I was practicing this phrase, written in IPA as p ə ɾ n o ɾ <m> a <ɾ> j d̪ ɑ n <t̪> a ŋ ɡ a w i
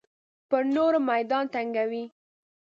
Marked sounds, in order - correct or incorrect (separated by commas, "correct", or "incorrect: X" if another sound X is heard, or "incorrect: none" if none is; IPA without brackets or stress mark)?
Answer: correct, incorrect: none, correct